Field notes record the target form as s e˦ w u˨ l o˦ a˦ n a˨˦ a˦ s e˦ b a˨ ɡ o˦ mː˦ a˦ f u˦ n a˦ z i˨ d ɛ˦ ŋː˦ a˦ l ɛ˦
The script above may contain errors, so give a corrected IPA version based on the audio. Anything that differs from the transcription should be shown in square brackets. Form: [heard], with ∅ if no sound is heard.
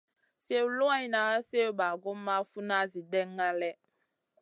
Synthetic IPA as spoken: s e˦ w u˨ l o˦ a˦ n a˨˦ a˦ s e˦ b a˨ ɡ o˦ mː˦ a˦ f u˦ n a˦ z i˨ d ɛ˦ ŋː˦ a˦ l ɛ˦